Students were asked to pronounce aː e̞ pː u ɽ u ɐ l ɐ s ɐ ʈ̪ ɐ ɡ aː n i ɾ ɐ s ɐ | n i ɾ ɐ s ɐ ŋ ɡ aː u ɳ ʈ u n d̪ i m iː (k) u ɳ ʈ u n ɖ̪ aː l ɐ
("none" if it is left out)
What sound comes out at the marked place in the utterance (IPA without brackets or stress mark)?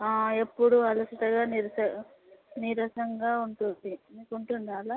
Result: k